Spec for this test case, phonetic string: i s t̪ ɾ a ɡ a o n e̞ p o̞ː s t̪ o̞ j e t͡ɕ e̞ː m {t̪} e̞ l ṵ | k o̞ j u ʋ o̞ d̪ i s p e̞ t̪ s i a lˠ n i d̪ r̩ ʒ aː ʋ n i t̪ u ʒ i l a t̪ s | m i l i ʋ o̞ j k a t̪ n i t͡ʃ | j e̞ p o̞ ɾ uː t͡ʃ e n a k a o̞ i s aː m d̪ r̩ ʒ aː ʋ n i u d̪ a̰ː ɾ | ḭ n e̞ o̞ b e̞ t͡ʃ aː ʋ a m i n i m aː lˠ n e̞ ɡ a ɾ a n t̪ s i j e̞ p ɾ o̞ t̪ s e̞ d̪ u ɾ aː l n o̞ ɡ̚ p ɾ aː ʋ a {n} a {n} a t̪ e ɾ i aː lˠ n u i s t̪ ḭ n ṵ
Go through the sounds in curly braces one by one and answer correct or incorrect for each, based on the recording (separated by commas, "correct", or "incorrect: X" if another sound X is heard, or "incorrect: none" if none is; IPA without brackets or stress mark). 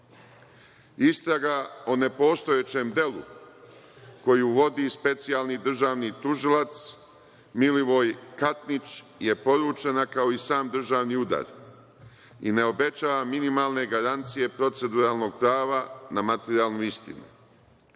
incorrect: d̪, correct, incorrect: m